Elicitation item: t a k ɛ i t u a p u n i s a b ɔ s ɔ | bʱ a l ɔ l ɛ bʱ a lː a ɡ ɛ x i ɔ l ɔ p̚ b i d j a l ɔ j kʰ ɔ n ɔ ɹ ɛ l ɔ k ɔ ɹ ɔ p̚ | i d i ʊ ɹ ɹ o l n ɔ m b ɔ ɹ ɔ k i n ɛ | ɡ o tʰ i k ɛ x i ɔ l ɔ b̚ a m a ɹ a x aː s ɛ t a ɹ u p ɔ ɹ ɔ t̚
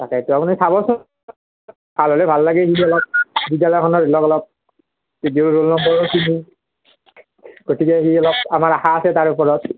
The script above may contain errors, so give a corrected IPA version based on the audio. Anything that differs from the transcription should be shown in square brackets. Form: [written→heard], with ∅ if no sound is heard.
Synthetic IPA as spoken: t a k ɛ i t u a p u n i s a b ɔ s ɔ | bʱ a l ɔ l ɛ bʱ a lː a ɡ ɛ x i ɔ l ɔ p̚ b i d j a l ɔ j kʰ ɔ n ɔ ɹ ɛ l ɔ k ɔ [ɹ→l] ɔ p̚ | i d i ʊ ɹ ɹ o l n ɔ m b ɔ ɹ ɔ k i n [ɛ→i] | ɡ o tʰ i k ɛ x i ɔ l ɔ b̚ a m a ɹ a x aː s ɛ t a ɹ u p ɔ ɹ ɔ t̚